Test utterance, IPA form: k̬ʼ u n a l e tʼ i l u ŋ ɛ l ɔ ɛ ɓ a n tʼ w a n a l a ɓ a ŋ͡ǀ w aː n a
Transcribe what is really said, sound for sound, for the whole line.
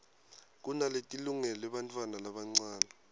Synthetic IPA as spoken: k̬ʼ u n a l e tʼ i l u ŋ ɛ l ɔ ɛ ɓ a n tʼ w a n a l a ɓ a ŋ͡ǀ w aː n a